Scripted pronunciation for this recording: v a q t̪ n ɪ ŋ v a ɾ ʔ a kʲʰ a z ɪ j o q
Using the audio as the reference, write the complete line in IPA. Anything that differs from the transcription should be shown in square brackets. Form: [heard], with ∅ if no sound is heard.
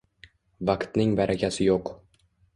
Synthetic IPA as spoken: v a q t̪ n ɪ ŋ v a ɾ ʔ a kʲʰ a [s] ɪ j o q